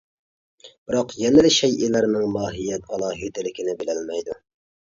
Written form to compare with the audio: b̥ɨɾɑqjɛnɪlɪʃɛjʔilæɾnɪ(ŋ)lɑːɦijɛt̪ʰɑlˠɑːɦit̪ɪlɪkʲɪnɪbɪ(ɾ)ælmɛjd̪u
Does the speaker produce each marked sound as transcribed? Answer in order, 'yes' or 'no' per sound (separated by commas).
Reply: yes, no